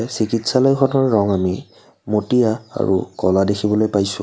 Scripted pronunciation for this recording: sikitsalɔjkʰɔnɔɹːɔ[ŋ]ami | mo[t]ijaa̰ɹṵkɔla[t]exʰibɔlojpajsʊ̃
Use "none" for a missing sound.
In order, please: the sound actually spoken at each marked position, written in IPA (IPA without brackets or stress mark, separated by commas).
ŋ, t, d